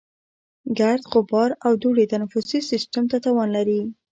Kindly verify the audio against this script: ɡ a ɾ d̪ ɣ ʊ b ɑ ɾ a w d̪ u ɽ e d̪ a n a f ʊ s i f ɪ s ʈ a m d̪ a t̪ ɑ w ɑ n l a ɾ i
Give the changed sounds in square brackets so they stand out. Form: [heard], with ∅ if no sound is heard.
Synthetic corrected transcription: ɡ a ɾ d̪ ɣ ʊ b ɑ ɾ a w d̪ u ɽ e [t̪] a n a f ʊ s i [s] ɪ s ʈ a m [t̪] a t̪ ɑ w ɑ n l a ɾ i